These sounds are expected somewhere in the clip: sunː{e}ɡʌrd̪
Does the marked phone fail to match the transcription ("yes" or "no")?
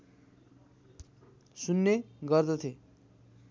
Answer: no